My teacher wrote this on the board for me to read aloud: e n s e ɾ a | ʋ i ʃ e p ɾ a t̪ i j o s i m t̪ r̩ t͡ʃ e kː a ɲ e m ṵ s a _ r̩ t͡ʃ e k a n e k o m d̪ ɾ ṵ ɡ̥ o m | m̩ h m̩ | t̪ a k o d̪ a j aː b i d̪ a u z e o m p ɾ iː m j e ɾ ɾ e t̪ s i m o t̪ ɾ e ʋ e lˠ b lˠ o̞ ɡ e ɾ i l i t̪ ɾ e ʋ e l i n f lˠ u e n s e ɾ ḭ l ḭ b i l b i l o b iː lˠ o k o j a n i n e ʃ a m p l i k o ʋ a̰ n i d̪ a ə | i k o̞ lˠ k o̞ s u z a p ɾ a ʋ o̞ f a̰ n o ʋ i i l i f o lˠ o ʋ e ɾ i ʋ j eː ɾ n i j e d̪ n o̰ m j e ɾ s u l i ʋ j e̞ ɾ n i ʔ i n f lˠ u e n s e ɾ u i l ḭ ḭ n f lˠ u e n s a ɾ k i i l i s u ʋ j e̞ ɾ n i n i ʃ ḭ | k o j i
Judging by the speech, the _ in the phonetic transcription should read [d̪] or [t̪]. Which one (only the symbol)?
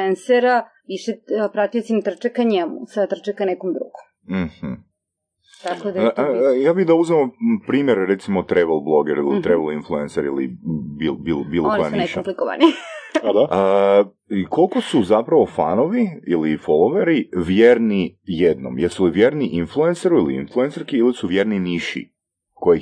t̪